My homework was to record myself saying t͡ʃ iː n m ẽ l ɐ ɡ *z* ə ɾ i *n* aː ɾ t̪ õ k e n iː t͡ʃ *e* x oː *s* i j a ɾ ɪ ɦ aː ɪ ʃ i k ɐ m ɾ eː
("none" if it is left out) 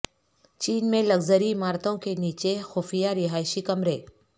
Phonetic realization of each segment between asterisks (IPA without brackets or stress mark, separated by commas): z, m, e, f